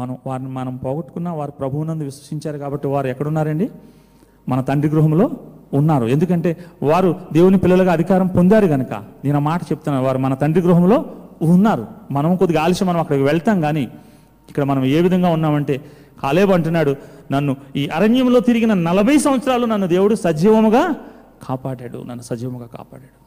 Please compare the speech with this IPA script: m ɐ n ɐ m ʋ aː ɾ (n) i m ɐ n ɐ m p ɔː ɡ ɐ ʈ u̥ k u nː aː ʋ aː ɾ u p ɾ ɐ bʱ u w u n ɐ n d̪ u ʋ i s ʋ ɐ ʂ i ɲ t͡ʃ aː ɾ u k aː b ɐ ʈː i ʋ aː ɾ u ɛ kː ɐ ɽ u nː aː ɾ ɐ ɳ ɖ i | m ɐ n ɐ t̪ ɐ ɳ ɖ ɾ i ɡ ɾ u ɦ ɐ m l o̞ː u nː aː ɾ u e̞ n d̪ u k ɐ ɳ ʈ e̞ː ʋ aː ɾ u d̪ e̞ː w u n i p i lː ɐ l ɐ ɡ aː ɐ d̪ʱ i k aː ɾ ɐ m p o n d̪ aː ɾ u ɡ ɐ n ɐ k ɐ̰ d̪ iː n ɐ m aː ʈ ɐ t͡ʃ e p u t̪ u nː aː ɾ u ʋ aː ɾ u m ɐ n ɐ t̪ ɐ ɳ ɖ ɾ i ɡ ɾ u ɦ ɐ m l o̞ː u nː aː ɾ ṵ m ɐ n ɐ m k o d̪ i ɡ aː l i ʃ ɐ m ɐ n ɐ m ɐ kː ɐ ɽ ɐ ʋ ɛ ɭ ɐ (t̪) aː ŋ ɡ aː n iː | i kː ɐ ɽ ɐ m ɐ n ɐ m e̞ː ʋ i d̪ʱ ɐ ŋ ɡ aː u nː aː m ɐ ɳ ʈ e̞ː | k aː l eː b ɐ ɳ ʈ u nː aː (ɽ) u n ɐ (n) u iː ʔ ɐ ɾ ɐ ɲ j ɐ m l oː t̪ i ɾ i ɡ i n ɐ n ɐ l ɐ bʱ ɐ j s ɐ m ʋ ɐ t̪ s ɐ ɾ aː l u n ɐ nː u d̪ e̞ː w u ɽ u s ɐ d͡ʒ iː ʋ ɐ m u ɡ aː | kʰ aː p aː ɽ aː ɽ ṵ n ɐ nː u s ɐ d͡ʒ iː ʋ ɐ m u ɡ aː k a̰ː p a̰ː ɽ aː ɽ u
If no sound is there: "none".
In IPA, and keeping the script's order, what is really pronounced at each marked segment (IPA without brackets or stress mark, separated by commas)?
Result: n, t̪, ɽ, nː